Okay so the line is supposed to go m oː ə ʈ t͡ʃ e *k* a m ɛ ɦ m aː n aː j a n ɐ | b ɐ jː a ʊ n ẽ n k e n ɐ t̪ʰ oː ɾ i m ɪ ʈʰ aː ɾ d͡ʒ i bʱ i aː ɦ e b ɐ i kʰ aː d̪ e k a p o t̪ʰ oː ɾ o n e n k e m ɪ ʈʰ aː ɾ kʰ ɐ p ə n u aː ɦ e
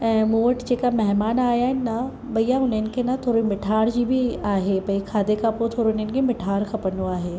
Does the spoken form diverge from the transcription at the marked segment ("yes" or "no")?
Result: no